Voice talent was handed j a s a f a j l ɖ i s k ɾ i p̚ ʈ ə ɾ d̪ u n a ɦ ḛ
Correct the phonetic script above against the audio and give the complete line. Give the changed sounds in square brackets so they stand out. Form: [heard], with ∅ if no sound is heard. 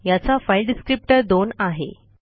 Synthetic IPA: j a [t͡s] a f a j l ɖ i s k ɾ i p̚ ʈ ə ɾ d̪ [o] n a ɦ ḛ